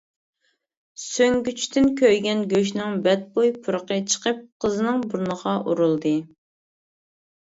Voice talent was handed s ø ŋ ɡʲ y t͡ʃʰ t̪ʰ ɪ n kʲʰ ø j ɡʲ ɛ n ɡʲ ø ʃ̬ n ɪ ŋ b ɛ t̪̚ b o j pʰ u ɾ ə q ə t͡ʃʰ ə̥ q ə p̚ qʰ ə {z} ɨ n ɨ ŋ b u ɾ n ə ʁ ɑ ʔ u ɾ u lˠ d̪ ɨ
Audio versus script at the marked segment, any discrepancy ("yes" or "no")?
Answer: no